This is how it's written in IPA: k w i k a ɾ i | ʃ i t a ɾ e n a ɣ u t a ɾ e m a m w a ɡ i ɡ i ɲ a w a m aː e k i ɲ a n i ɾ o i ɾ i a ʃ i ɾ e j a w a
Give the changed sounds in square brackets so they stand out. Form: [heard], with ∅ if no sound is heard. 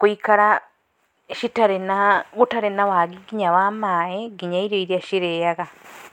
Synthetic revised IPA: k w i k a ɾ [a] | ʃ i t a ɾ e n a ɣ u t a ɾ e [n] a [∅] w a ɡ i ɡ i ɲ a w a m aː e [ɡ] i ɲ a [∅] i ɾ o i ɾ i a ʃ i ɾ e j a [ɣ] a